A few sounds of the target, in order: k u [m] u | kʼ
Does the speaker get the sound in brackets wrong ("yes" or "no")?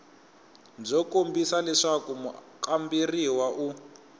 no